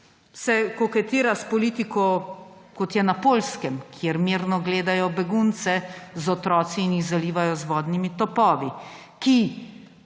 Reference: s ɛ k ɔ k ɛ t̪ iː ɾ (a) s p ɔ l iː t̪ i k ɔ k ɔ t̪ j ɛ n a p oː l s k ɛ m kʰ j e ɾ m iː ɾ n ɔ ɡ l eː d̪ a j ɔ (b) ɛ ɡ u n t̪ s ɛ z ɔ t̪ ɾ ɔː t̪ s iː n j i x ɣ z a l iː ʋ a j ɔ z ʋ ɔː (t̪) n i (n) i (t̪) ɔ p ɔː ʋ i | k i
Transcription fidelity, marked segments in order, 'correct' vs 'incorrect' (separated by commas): correct, correct, incorrect, incorrect, correct